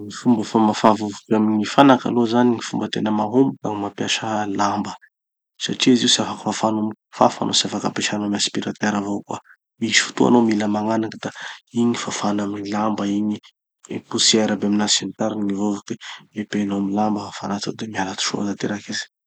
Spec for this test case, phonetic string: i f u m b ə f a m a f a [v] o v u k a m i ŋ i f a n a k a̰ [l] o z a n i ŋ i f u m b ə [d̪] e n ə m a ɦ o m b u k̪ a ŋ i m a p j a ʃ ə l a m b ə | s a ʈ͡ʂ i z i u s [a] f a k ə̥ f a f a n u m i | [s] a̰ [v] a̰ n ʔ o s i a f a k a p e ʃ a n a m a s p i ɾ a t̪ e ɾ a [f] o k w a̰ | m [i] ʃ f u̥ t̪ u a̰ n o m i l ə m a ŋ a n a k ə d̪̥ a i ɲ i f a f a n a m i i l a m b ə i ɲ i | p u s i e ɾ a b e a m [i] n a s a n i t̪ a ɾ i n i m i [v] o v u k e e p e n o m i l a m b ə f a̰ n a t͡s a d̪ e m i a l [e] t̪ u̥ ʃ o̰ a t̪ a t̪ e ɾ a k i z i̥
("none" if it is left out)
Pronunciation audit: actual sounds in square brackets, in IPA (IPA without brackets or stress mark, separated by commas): v, l, t̪, a, f, f, v, i, i, v, a